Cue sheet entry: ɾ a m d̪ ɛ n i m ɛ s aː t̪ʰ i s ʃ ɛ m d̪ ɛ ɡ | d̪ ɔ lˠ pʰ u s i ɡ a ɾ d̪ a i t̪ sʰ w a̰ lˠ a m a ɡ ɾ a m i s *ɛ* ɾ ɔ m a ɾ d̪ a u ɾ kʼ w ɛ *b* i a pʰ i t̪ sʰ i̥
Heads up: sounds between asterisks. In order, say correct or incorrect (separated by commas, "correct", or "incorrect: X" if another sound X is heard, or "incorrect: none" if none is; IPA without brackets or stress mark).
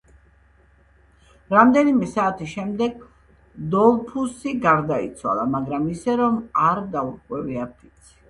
correct, incorrect: v